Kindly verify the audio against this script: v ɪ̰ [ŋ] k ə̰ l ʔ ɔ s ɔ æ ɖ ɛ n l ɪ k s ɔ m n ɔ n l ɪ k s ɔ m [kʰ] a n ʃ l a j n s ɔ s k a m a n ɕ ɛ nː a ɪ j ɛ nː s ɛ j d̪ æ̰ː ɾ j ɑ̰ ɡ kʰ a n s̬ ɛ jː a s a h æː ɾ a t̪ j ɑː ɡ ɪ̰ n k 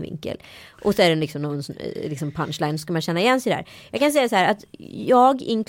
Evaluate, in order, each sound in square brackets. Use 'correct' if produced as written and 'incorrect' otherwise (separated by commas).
correct, incorrect